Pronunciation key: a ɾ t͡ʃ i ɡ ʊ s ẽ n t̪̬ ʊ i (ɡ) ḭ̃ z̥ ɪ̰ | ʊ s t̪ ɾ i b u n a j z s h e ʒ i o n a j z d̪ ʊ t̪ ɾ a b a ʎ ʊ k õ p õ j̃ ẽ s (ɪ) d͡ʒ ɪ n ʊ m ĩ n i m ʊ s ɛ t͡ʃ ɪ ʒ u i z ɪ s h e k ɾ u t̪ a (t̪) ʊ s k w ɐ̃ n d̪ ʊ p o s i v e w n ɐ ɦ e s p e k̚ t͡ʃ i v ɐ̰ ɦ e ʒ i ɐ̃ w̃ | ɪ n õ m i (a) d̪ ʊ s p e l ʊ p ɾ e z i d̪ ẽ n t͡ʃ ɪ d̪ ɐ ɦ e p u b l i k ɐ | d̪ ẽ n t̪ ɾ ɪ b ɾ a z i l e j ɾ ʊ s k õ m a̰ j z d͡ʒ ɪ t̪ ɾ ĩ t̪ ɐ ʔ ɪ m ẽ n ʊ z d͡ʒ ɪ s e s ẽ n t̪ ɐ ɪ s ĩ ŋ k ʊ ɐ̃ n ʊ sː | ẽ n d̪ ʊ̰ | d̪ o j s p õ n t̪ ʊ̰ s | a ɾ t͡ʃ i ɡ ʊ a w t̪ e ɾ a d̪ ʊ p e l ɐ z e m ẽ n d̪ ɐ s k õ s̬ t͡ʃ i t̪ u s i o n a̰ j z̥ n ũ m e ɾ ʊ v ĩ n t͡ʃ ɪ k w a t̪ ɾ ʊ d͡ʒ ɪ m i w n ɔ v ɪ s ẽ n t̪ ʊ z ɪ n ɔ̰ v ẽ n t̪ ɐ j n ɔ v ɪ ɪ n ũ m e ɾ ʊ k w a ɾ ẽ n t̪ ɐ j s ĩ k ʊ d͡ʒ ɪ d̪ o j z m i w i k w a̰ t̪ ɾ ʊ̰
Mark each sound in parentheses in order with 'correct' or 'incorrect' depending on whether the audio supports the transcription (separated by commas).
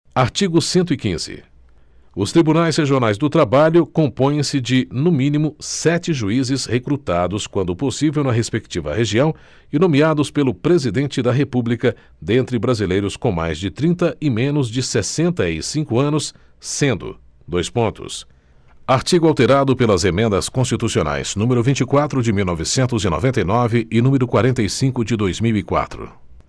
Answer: incorrect, correct, incorrect, correct